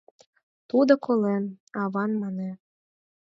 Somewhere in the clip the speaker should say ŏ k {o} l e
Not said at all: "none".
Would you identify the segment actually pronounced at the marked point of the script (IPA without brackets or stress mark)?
o